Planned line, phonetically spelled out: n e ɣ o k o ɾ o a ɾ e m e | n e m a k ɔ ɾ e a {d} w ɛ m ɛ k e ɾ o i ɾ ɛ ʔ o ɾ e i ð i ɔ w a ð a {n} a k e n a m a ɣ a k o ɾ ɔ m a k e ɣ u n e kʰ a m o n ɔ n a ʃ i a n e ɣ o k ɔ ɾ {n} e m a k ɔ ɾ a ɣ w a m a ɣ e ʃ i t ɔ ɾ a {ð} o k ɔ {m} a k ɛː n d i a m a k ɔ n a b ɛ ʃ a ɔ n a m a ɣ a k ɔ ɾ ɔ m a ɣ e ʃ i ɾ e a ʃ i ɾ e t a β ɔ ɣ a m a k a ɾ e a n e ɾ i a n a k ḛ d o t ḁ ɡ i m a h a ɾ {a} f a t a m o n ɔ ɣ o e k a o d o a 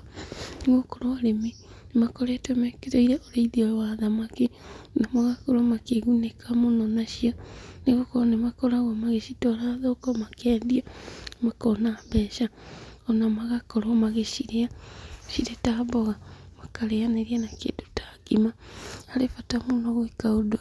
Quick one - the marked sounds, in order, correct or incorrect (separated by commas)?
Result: incorrect, incorrect, correct, correct, correct, incorrect